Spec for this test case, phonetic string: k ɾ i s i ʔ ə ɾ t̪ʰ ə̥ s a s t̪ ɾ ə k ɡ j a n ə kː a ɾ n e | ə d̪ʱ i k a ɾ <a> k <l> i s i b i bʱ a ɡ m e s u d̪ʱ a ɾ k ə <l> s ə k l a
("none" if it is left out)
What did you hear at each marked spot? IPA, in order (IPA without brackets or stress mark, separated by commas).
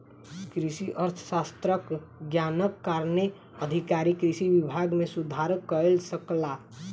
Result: i, ɾ, l